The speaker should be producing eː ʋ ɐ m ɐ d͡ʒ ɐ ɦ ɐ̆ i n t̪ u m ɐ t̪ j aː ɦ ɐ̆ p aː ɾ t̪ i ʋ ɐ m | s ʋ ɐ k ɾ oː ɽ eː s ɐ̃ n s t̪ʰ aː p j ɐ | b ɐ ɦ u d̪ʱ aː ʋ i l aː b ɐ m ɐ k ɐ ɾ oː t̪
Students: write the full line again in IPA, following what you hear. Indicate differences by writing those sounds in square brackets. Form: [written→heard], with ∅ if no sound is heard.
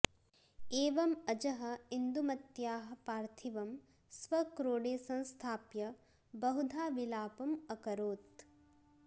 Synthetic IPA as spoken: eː ʋ ɐ m ɐ d͡ʒ ɐ ɦ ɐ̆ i n [t̪→d̪] u m ɐ t̪ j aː ɦ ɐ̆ p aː ɾ [t̪→t̪ʰ] i ʋ ɐ m | s ʋ ɐ k ɾ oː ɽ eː s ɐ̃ n s t̪ʰ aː p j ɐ | b ɐ ɦ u d̪ʱ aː ʋ i l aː [b→p] ɐ m ɐ k ɐ ɾ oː t̪